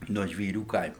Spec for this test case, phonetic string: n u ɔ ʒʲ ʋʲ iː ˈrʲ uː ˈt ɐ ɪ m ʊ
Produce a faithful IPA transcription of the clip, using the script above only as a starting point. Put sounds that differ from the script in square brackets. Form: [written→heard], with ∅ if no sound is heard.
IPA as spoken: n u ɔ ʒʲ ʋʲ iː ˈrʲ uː [ˈt→ˈk] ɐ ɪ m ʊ